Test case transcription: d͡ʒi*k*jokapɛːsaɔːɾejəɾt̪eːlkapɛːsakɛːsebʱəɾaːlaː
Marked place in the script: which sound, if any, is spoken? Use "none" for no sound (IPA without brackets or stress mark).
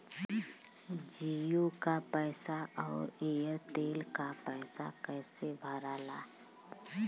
none